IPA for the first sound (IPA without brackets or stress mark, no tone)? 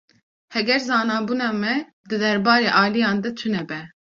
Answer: h